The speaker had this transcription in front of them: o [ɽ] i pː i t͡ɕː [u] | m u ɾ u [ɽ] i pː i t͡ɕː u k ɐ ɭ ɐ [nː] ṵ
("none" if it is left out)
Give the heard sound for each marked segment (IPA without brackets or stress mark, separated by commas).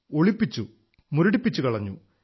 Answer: ɭ, u, ɽ, ɲː